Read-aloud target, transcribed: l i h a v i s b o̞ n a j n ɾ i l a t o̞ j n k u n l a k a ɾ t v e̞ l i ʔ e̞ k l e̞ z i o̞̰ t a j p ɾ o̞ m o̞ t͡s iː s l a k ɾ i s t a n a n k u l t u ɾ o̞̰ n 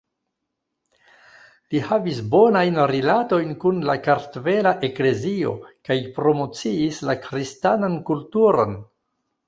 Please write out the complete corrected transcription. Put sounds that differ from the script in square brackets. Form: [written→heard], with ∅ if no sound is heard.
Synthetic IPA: l i h a v i s b o̞ n a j n ɾ i l a t o̞ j n k u n l a k a ɾ t v e̞ l [i→a] ʔ e̞ k l e̞ z i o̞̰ [t→k] a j p ɾ o̞ m o̞ t͡s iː s l a k ɾ i s t a n a n k u l t u ɾ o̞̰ n